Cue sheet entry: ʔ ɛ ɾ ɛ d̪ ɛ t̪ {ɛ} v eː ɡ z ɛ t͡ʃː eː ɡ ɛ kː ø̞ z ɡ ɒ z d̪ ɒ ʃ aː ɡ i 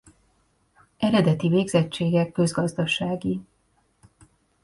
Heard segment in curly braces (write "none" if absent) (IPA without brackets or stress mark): i